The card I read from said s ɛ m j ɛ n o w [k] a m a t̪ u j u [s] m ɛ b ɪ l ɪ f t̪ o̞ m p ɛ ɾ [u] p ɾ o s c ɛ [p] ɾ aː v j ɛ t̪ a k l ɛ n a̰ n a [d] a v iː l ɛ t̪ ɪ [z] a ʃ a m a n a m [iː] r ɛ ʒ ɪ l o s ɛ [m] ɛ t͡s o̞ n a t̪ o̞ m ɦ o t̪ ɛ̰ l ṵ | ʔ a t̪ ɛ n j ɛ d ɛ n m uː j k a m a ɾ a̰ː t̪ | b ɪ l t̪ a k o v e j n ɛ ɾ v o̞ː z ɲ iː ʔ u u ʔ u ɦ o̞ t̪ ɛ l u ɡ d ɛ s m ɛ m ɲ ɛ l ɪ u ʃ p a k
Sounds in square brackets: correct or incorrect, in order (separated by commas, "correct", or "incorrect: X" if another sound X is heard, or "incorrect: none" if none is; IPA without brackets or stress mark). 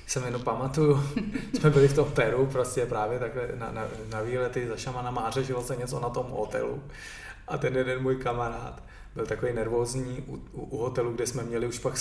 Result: incorrect: p, correct, correct, correct, incorrect: n, correct, incorrect: aː, incorrect: ɲ